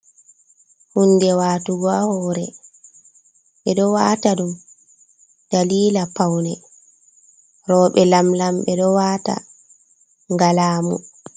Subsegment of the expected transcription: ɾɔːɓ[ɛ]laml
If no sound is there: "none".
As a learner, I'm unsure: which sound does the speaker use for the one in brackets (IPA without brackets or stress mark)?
ɛ